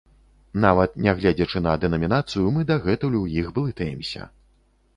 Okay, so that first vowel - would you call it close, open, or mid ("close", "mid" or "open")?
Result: open